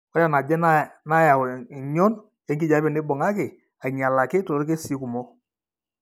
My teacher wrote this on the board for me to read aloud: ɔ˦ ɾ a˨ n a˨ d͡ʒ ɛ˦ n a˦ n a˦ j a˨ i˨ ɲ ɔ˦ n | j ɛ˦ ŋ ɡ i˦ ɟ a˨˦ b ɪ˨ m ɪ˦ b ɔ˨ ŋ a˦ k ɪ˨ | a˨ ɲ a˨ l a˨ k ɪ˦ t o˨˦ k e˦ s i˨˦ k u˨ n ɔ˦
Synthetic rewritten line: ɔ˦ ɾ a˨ n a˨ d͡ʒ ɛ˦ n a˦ n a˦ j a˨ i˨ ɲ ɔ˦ n | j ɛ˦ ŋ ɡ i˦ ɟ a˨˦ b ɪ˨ n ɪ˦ b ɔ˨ ŋ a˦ k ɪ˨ | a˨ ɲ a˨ l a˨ k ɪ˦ t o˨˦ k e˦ s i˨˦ k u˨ m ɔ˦